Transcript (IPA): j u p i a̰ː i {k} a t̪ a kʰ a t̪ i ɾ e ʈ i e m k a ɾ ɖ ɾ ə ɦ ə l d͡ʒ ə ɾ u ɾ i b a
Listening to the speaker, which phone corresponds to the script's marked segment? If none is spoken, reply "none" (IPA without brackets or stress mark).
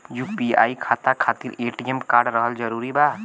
kʰ